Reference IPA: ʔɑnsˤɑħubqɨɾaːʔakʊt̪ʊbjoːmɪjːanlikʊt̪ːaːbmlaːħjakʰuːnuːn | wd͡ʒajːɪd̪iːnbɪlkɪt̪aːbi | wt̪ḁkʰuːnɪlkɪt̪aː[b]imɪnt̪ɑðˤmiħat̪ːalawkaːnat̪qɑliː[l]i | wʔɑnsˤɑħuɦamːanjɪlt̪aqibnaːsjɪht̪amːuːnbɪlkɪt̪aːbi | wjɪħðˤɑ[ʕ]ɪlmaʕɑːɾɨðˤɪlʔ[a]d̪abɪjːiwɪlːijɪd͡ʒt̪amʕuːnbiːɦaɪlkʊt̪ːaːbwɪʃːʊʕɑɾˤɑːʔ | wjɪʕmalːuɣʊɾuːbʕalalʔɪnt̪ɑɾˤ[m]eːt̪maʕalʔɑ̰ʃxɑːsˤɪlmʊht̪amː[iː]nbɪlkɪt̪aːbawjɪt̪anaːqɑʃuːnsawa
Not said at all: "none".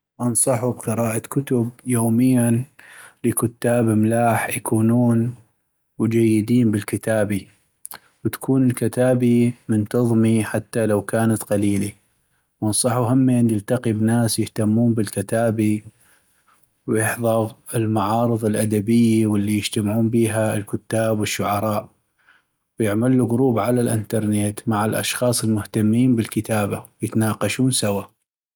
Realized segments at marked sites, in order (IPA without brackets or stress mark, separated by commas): b, l, ɣ, a, n, iː